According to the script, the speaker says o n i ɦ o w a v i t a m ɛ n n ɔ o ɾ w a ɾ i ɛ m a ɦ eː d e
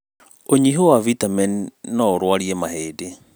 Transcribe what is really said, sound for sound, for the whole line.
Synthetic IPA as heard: o ɲ i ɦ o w a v i t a m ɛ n n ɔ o ɾ w a ɾ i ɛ m a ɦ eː d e